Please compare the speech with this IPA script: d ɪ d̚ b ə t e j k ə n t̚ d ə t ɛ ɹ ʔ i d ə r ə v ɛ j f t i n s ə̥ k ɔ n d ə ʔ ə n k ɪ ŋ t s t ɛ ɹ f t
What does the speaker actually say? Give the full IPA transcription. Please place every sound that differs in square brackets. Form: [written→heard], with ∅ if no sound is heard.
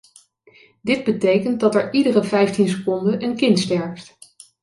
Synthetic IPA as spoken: d ɪ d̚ b ə t e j k ə n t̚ d [ə→ɑ] t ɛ ɹ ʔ i d ə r ə v ɛ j f t i n s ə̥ k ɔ n d ə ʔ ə n k ɪ [ŋ→n] t s t ɛ ɹ f t